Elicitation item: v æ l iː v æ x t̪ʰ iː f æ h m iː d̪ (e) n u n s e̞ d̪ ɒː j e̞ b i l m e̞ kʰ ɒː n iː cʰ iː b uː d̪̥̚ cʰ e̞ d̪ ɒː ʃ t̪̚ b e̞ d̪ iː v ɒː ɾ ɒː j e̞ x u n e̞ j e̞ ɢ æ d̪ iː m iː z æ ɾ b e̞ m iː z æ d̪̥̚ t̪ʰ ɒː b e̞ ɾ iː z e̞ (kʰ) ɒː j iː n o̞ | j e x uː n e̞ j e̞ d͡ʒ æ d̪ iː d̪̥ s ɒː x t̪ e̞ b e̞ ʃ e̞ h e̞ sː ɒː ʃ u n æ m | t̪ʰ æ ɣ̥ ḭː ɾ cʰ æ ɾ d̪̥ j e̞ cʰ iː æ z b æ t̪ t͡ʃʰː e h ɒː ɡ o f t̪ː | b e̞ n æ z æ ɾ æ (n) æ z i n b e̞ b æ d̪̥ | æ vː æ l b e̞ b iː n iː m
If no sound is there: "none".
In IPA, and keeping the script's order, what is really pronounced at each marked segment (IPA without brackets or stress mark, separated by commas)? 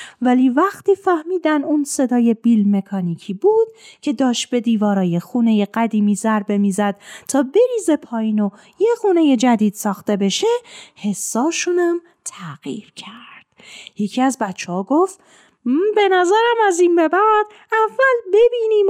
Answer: æ, pʰ, m